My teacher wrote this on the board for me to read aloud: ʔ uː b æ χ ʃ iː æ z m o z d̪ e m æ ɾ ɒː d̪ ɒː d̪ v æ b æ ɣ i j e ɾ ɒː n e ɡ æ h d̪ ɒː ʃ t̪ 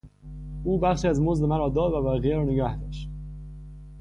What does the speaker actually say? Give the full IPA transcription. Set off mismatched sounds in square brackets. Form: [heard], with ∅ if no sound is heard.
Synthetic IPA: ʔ uː b æ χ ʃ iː æ z m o z d̪ e m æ ɾ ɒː d̪ ɒː d̪ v æ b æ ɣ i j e ɾ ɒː n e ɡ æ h d̪ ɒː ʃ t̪